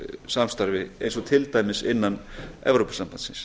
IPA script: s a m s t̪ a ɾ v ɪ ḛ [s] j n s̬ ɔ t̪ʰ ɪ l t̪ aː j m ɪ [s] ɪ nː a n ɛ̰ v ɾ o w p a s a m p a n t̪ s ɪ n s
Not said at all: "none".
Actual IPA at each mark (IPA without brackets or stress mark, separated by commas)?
none, s